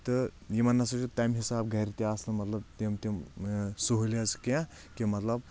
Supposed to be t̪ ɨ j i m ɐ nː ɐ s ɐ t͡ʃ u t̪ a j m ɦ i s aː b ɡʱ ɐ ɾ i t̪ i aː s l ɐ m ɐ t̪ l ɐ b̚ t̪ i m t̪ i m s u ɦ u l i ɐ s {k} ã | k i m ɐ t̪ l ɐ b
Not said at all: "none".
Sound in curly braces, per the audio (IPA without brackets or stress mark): k